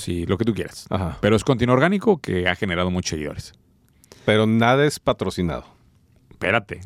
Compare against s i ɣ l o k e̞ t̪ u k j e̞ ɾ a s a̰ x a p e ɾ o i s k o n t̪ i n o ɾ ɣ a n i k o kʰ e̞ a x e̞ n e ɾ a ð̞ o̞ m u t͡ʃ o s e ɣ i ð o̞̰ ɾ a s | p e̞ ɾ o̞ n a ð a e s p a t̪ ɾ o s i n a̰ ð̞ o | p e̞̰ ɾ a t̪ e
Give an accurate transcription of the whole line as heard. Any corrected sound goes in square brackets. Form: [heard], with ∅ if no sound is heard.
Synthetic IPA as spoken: s i [∅] l o k e̞ t̪ u k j e̞ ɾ a s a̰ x a p e ɾ o [e] s k o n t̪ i n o ɾ ɣ a n i k o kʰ e̞ a x e̞ n e ɾ a ð̞ o̞ m u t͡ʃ o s e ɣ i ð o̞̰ ɾ [e] s | p e̞ ɾ o̞ n a ð a e s p a t̪ ɾ o s i n a̰ ð̞ o | p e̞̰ ɾ a t̪ e